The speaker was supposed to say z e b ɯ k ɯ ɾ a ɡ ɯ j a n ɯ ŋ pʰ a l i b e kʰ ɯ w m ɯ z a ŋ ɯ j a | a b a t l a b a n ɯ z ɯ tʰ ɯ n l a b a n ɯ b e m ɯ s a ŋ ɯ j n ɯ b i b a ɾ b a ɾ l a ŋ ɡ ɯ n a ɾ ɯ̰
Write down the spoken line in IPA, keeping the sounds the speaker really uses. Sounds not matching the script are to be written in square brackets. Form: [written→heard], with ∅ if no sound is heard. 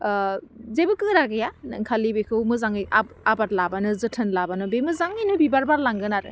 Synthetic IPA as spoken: z e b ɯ k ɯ ɾ a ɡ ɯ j a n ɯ ŋ [pʰ→kʰ] a l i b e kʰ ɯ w m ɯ z a ŋ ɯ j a | a b a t l a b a n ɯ z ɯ tʰ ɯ n l a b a n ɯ b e m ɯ [s→z] a ŋ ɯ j n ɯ b i b a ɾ b a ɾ l a ŋ ɡ ɯ n a ɾ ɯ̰